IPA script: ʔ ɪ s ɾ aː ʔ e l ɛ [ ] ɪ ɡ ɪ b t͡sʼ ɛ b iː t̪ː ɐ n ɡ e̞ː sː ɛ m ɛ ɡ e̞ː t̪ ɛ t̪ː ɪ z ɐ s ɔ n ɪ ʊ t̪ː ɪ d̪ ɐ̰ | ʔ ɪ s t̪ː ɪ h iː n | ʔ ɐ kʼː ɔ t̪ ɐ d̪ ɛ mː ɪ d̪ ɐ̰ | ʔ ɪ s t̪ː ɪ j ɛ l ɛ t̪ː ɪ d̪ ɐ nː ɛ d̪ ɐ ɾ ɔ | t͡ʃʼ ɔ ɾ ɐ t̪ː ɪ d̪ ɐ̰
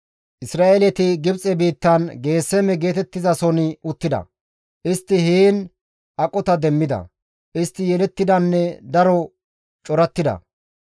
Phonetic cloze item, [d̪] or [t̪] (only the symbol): t̪